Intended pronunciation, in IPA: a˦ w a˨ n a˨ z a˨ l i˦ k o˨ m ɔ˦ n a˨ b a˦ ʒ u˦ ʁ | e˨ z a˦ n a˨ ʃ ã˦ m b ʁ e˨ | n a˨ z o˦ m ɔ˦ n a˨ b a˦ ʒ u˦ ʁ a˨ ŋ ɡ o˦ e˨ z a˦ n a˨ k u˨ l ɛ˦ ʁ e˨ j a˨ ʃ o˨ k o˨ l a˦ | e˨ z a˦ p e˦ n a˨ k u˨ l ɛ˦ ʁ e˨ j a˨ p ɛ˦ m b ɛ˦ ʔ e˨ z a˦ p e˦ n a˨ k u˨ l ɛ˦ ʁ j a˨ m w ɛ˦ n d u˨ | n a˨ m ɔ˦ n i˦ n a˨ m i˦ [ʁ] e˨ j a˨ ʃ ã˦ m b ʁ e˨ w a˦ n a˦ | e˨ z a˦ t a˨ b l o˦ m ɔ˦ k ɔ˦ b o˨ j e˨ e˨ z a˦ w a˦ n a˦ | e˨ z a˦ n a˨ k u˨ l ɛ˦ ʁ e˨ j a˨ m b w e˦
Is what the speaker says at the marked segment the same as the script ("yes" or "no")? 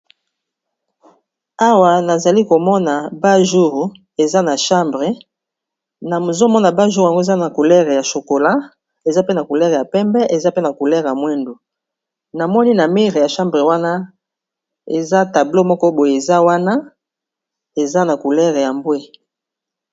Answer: yes